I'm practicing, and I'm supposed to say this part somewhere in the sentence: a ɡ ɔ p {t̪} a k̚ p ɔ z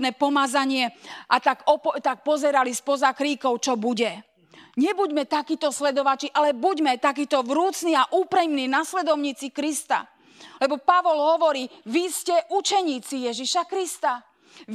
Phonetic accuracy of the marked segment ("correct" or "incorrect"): correct